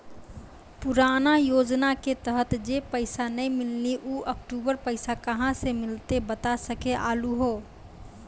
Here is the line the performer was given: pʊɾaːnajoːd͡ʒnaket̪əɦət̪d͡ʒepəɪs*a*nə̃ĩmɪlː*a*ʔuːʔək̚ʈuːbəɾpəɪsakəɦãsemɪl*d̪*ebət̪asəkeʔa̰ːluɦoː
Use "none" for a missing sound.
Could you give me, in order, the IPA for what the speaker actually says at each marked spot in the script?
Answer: a, i, t̪

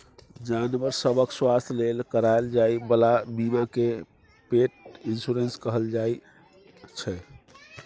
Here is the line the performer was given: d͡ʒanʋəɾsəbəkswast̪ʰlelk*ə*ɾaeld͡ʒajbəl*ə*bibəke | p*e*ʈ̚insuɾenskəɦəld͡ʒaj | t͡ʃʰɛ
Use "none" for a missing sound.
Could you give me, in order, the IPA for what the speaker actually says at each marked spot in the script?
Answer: ə, a, e

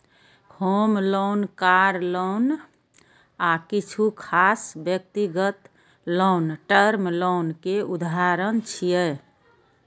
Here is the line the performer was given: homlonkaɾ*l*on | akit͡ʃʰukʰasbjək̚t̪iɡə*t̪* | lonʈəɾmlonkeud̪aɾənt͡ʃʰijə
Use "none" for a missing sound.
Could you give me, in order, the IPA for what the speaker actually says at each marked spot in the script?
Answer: l, t̪

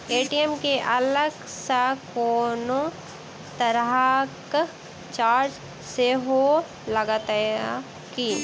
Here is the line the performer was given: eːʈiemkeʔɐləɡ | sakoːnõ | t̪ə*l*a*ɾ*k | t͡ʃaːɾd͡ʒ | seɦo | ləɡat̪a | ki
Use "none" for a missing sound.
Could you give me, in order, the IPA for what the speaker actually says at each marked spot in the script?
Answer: ɾ, none

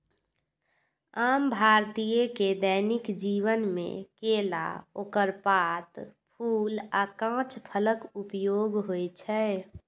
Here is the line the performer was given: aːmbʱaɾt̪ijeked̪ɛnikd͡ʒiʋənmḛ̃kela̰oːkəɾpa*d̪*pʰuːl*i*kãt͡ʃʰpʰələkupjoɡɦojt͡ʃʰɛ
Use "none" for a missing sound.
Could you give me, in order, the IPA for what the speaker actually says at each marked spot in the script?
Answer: t̪, a

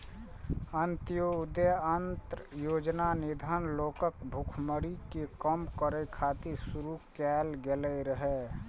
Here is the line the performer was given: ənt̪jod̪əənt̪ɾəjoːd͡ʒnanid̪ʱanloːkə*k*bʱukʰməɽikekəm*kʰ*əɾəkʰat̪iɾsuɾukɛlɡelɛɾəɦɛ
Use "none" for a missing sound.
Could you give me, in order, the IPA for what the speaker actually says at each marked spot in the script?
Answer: k, k

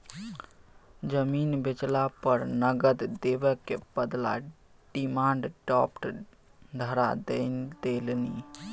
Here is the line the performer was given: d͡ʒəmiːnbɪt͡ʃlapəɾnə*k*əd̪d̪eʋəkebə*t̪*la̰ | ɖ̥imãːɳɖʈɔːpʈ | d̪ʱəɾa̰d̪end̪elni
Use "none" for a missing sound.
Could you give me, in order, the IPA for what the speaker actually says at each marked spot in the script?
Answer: ɡ, d̪

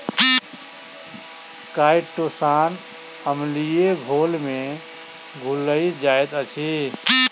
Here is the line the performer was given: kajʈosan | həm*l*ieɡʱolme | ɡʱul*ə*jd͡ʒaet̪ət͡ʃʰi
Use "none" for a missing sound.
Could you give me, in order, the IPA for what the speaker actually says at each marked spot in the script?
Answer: l, ə

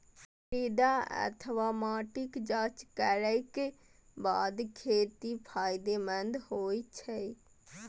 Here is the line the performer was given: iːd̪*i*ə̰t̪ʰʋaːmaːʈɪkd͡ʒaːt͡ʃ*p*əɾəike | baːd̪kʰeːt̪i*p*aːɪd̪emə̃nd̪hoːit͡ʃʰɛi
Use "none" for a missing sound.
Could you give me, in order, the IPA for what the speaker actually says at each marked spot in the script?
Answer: a, k, pʰ

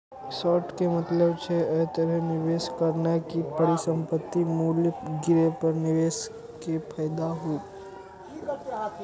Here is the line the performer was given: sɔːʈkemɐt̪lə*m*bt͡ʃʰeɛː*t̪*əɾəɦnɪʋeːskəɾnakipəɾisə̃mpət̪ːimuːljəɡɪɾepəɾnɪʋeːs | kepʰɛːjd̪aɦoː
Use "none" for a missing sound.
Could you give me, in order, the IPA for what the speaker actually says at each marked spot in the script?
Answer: none, t̪

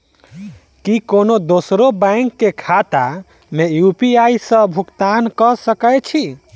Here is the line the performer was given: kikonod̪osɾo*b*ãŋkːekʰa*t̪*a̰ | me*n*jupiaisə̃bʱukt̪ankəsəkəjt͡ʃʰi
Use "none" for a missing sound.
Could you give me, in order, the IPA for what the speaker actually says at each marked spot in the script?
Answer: b, t̪, none

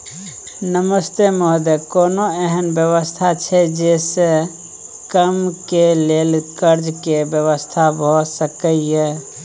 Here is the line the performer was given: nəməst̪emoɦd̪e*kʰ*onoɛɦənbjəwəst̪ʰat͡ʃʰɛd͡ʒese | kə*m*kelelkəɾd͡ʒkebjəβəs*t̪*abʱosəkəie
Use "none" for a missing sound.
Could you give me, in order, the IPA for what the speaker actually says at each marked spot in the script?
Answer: k, m, t̪ʰ

